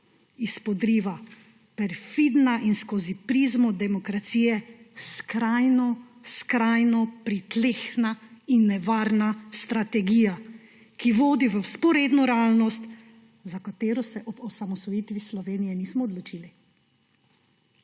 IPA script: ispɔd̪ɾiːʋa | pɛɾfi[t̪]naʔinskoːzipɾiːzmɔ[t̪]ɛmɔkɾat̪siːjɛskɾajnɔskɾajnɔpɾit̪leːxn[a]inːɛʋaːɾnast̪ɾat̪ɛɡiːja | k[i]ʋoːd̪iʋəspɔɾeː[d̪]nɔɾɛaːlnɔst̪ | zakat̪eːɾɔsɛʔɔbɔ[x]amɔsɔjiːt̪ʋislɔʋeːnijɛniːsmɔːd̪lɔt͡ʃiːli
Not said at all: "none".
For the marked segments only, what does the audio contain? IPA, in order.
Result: d̪, d̪, a, i, d̪, s

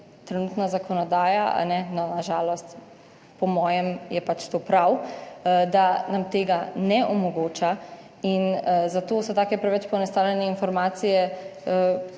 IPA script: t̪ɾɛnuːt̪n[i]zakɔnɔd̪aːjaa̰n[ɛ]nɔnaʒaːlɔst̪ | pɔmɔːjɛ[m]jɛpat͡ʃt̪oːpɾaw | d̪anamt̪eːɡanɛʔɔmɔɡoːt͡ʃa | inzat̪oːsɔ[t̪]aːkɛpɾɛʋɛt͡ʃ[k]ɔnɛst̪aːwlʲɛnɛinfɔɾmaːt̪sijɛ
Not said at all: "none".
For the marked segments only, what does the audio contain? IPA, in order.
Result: a, ɛ, m, t̪, p

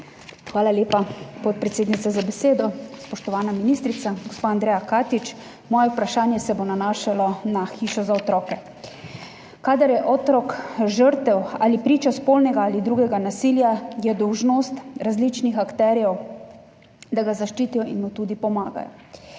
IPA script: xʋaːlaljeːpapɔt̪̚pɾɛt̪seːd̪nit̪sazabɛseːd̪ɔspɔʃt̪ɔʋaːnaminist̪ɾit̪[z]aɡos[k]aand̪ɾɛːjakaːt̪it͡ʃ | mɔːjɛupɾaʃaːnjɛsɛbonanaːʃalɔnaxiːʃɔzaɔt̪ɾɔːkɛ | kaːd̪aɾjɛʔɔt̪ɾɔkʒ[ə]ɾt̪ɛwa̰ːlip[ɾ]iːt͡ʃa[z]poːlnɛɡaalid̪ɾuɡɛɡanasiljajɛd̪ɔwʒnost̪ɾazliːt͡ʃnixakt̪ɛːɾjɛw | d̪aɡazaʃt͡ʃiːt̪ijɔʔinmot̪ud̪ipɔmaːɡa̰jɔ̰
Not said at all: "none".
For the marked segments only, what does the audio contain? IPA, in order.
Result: s, p, ə, ɾ, s

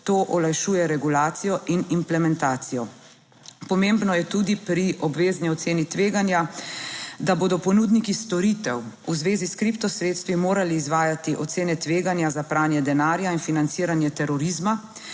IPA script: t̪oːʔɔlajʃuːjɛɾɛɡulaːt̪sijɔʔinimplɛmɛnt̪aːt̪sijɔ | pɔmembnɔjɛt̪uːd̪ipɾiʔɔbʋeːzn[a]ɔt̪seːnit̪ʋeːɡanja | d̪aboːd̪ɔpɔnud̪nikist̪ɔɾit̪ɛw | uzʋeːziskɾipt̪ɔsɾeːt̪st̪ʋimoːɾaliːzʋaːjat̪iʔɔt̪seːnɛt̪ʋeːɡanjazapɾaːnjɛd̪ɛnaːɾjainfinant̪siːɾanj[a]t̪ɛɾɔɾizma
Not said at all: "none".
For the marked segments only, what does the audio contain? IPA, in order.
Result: i, ɛ

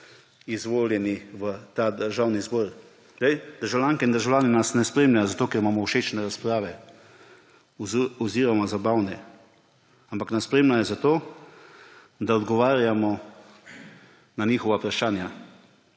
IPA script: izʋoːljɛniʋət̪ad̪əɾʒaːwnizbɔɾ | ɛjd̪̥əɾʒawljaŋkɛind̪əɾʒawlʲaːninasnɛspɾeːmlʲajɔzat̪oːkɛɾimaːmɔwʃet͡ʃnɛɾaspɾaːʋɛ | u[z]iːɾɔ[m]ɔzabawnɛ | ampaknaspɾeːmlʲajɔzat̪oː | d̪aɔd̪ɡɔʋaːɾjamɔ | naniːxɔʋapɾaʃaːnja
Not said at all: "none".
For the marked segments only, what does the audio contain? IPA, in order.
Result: z, m

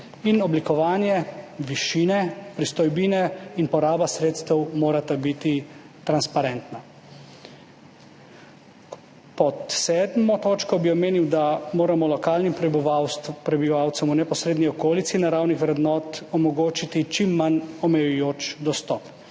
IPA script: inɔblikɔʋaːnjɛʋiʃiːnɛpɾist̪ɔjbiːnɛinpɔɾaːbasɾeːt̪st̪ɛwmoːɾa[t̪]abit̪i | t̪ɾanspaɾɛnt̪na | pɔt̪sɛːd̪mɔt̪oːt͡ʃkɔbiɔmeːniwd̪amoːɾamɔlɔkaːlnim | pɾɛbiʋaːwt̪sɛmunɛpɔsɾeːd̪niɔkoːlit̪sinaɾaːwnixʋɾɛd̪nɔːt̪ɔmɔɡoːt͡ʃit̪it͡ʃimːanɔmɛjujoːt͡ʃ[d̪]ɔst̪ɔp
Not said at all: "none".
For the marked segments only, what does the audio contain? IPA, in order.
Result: t̪, d̪

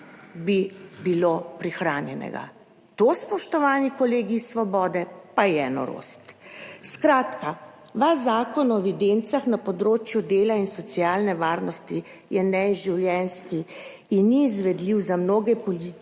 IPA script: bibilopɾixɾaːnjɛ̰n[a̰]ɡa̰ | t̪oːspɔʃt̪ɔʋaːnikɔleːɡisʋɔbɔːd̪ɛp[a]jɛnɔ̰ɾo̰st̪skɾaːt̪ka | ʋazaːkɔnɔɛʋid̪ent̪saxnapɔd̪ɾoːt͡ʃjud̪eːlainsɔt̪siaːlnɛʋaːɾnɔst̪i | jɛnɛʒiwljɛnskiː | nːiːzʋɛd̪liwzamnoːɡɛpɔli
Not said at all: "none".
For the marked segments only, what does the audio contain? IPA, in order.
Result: ɛ̰, a

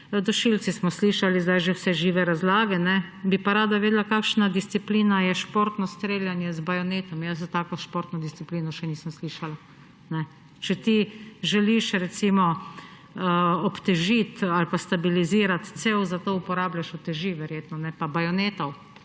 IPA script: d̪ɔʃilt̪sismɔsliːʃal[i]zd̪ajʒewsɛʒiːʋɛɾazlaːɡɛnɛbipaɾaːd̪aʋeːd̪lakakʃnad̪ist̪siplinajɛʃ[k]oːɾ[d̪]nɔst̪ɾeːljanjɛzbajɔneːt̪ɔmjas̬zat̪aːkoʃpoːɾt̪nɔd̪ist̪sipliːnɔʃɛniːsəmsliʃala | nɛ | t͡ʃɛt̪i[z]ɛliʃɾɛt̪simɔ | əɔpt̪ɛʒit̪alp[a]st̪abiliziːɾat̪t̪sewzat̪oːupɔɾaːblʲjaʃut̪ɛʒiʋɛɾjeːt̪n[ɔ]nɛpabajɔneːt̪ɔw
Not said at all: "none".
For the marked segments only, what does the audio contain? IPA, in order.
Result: i, p, t̪, ʒ, a, ɔ

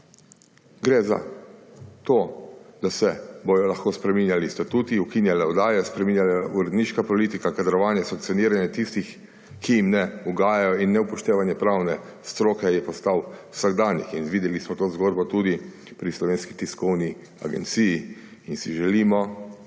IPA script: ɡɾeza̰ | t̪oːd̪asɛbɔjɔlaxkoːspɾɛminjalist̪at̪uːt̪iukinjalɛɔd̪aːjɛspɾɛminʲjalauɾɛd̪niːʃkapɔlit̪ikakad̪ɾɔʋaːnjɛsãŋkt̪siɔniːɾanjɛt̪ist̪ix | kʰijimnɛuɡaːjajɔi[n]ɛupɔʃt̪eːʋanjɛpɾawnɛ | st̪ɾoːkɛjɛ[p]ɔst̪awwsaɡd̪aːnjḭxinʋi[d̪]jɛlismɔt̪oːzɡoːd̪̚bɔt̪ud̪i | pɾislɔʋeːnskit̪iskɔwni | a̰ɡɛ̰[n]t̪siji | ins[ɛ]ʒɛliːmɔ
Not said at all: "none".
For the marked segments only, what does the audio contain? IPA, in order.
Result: nː, p, d̪, n, i

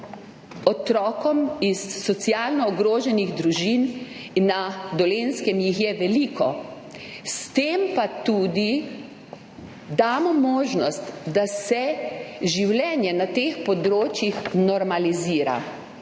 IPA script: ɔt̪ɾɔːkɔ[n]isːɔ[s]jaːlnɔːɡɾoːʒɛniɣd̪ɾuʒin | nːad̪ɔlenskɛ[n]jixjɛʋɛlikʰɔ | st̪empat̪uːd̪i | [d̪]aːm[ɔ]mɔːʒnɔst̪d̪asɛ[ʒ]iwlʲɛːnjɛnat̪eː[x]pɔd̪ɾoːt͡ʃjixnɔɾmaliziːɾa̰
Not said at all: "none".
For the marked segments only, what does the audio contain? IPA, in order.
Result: m, s, m, d̪, ɔ, ʒ, x

